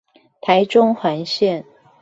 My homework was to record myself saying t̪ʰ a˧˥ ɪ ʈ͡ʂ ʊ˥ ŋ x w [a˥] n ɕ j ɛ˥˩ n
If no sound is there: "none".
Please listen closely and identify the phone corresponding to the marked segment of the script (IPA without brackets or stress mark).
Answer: a˧˥